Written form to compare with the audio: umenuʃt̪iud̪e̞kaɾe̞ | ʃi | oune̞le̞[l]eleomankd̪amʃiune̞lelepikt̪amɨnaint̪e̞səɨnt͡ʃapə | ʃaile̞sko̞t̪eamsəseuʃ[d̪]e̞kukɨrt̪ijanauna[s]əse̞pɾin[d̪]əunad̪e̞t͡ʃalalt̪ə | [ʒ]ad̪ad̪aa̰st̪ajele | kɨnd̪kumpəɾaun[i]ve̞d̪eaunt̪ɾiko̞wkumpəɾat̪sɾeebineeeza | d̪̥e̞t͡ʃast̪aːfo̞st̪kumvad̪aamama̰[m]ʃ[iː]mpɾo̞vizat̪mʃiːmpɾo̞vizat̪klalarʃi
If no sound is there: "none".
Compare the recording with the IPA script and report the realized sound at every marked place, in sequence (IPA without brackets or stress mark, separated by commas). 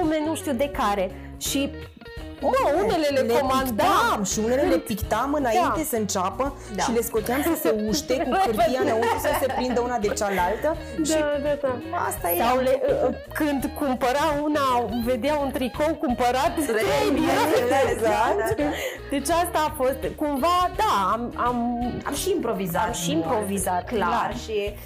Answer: l, t̪, s, d̪, ʃ, a, m, iː